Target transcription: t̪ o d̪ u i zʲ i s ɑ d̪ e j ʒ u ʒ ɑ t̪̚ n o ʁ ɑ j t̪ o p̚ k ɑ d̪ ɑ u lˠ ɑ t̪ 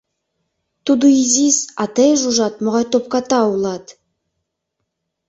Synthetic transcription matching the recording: t̪ u d̪ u i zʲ i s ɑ t̪ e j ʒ u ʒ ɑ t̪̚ m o ʁ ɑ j t̪ o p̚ k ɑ t̪ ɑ u lˠ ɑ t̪

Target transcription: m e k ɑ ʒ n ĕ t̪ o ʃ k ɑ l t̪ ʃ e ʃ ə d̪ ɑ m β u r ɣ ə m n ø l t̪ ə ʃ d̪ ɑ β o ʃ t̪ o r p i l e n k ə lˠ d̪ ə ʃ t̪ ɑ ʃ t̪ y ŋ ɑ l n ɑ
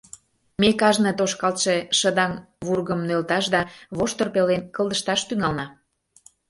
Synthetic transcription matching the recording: m e k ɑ ʒ n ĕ t̪ o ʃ k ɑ l t̪ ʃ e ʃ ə d̪ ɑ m β u r ɣ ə m n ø l t̪ ɑ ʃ d̪ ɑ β o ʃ t̪ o r p e l e n k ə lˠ d̪ ə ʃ t̪ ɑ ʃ t̪ y ŋ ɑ l n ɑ

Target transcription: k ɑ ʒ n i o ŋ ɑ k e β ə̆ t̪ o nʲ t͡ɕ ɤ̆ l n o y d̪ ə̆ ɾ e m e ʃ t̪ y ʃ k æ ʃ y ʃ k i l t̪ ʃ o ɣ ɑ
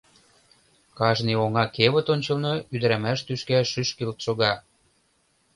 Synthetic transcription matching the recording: k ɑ ʒ n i o ŋ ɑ k e β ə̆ t̪ o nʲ t͡ɕ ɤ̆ l n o y d̪ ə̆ ɾ æ m æ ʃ t̪ y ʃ k æ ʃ y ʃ k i l t̪ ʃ o ɣ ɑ

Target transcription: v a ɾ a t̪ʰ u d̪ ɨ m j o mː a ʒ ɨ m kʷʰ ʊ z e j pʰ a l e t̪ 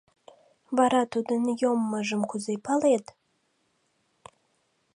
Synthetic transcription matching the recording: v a ɾ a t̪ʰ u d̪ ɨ n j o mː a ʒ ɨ m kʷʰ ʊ z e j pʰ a l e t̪

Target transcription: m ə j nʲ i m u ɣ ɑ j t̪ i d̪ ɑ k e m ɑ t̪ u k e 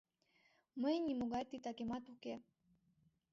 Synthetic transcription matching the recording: m ə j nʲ i m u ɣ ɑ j t̪ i t̪ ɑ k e m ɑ t̪ u k e

